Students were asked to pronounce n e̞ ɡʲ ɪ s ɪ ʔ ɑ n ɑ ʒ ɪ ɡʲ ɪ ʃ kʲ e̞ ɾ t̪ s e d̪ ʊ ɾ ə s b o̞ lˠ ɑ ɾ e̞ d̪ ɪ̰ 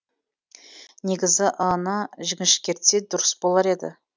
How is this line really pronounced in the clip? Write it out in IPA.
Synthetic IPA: n e̞ ɡʲ ɪ z ɪ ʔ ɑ n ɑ ʒ ɪ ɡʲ ɪ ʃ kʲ e̞ ɾ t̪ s e d̪ ʊ ɾ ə s b o̞ lˠ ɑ ɾ e̞ d̪ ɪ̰